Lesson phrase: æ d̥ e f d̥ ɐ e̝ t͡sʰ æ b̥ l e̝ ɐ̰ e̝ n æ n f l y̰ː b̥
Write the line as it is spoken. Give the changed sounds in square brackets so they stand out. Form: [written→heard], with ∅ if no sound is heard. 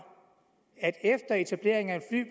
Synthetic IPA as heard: æ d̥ e f d̥ ɐ e̝ t͡sʰ æ b̥ l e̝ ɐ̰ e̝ [n→ŋ] æ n f l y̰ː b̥